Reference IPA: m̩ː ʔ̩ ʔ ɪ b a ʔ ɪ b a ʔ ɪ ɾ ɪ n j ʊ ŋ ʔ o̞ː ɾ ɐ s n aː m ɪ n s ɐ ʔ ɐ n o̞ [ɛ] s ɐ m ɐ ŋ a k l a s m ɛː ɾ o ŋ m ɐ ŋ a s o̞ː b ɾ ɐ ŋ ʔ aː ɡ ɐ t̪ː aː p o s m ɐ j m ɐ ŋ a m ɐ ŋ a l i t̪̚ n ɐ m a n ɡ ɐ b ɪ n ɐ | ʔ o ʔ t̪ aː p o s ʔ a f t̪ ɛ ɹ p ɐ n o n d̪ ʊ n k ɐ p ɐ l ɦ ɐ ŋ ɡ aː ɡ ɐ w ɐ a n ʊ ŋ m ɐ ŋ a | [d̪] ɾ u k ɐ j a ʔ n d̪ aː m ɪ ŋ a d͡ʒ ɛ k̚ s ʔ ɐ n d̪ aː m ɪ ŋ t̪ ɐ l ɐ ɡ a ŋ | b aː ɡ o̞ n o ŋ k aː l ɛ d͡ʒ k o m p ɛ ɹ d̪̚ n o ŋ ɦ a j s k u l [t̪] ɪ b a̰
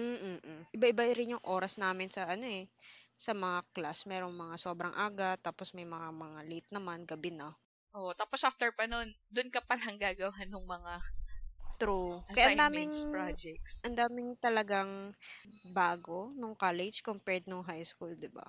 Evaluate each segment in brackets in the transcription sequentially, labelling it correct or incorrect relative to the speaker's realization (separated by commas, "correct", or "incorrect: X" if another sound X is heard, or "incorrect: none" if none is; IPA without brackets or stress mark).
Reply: correct, incorrect: t̪, incorrect: d̪